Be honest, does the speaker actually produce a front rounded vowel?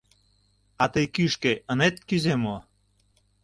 yes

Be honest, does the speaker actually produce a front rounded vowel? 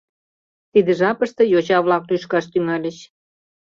yes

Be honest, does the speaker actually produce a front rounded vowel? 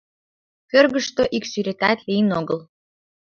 yes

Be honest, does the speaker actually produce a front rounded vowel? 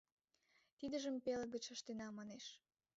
no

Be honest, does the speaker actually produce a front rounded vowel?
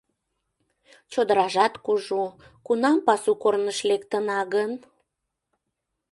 no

